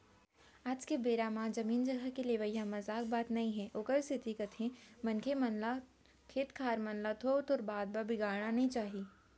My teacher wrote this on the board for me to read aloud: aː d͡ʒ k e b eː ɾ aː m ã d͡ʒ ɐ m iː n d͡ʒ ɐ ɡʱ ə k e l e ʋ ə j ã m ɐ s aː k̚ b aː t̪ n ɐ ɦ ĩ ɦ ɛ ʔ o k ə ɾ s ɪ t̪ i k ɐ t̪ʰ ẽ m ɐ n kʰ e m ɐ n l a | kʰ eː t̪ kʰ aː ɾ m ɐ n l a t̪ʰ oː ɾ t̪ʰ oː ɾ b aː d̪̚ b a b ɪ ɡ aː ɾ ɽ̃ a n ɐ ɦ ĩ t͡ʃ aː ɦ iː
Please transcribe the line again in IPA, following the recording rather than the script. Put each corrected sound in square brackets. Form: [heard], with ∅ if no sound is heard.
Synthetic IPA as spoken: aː d͡ʒ k e b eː ɾ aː m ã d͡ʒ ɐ m iː n d͡ʒ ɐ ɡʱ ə k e l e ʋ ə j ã m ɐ [z] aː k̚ b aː t̪ n ɐ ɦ ĩ ɦ ɛ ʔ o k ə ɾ s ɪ t̪ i k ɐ t̪ʰ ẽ m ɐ n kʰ e m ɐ n l a | kʰ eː t̪ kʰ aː ɾ m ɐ n l a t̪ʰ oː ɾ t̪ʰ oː ɾ b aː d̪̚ b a b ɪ ɡ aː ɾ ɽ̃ a n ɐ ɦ ĩ t͡ʃ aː ɦ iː